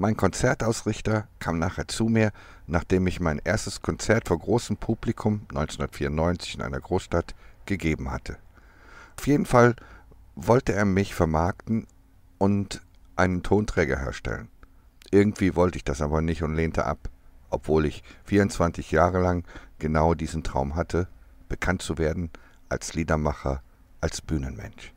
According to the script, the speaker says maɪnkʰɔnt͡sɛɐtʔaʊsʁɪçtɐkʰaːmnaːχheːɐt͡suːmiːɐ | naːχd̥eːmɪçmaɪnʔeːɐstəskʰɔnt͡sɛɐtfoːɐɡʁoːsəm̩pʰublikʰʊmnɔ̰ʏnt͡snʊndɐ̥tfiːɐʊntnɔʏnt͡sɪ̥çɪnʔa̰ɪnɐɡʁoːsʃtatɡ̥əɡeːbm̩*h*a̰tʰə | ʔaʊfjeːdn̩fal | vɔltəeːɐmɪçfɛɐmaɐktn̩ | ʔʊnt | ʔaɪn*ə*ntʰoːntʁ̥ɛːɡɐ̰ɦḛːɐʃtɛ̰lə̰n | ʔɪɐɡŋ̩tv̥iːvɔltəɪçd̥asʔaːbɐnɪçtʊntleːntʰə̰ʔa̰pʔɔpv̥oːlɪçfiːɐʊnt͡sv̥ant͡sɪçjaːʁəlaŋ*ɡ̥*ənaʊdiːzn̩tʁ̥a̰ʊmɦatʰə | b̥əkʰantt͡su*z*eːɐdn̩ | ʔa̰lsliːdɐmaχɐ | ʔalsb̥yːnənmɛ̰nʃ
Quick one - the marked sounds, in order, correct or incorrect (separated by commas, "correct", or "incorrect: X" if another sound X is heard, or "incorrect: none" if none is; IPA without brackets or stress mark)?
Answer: correct, correct, correct, incorrect: v